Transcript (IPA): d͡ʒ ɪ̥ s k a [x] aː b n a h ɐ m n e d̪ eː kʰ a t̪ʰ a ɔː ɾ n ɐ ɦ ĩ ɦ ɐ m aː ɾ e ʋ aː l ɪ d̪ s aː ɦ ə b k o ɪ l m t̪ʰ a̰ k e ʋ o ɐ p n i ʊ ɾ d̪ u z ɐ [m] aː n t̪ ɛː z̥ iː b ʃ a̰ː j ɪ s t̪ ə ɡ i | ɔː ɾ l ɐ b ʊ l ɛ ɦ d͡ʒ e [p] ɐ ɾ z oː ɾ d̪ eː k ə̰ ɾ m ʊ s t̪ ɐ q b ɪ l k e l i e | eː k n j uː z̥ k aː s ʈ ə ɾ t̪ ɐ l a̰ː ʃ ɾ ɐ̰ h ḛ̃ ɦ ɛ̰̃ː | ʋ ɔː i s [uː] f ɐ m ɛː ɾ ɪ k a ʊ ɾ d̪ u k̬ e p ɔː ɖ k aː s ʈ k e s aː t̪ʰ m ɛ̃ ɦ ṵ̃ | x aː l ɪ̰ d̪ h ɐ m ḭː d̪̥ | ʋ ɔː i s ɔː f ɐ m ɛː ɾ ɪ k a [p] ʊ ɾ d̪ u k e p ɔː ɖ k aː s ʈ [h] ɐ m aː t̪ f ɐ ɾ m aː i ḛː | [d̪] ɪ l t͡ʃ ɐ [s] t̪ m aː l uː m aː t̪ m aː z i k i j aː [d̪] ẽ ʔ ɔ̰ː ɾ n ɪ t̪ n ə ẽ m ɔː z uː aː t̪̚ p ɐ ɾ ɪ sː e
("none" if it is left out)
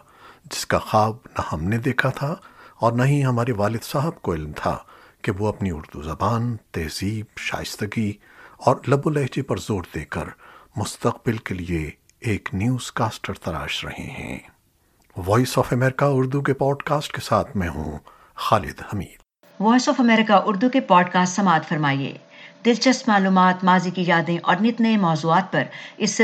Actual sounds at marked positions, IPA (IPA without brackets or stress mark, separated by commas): x, b, p, ɔː, ʔ, s, d̪, s, d̪